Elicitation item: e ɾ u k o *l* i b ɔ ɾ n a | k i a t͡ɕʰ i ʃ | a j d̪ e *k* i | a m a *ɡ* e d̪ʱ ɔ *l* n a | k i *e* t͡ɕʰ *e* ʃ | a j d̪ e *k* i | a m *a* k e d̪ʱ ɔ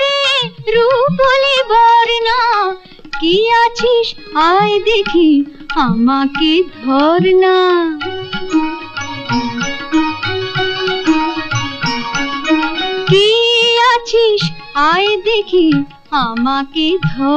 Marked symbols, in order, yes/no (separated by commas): yes, no, no, no, no, no, no, yes